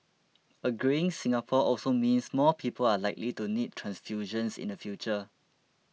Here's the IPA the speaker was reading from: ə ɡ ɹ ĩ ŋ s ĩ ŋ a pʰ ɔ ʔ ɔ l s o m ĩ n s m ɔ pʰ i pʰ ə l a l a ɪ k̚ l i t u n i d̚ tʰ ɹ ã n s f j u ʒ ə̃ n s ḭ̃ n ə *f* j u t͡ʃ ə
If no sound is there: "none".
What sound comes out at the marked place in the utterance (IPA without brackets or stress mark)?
f